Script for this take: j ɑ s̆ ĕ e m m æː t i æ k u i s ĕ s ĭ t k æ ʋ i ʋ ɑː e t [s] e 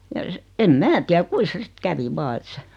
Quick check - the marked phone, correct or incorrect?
correct